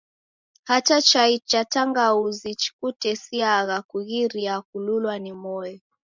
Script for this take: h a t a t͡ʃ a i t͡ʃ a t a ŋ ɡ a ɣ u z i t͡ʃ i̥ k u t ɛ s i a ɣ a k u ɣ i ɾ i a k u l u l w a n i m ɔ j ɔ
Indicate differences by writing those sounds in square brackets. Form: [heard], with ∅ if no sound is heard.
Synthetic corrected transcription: h a t a t͡ʃ a i t͡ʃ a t a ŋ ɡ a [∅] u z i t͡ʃ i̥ k u t ɛ s i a ɣ a k u ɣ i ɾ i a k u l u l w a n i m ɔ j ɔ